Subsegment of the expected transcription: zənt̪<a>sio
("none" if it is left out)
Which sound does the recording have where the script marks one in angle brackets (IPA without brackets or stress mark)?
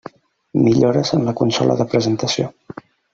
ə